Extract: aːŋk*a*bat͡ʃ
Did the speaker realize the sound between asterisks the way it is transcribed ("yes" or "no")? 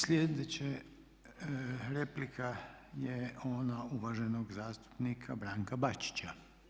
yes